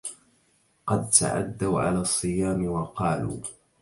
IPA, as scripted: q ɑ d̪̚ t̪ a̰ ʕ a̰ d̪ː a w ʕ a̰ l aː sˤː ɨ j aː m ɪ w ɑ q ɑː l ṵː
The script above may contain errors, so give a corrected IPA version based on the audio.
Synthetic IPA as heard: q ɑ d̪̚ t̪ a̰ ʕ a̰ d̪ː a w ʕ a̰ l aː sˤː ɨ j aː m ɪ w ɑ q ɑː l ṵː